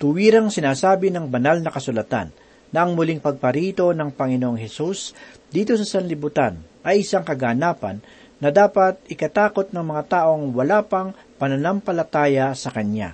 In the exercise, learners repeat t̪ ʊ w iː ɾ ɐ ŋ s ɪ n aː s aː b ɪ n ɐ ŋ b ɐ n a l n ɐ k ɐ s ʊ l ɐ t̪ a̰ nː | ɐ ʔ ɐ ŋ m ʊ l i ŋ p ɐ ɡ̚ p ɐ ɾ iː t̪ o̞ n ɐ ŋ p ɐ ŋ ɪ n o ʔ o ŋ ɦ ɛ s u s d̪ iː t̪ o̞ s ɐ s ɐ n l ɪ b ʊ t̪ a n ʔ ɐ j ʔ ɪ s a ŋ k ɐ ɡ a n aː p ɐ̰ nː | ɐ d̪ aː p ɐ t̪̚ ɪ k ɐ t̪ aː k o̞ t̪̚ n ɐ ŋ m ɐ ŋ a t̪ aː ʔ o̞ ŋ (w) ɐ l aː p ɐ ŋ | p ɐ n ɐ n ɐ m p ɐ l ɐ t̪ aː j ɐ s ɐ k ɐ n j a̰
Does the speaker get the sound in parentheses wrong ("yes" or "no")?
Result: no